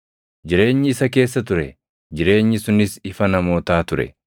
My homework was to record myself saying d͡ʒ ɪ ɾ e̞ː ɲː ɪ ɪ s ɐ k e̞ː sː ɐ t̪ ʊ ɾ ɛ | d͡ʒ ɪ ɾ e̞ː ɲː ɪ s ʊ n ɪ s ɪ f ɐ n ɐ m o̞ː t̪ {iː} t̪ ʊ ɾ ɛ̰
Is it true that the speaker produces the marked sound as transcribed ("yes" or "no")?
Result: no